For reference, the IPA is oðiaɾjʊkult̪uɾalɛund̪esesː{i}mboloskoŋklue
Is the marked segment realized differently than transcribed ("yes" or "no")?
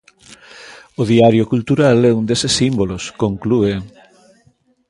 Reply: no